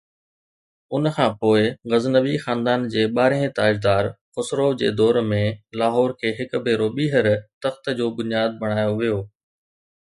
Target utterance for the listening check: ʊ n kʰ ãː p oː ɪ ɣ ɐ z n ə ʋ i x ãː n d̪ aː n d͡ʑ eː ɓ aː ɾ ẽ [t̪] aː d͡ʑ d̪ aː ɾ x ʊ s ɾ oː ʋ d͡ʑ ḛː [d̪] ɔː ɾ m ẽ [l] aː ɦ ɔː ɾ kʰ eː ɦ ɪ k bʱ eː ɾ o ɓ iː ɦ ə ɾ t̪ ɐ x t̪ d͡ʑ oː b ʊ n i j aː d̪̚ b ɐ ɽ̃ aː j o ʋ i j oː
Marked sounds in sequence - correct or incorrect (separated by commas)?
correct, correct, correct